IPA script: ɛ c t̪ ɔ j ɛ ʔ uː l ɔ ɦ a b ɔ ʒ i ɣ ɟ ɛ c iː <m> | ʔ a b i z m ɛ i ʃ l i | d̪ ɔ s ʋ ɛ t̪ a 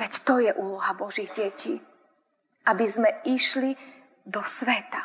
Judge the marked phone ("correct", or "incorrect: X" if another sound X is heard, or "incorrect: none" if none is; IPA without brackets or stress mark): incorrect: none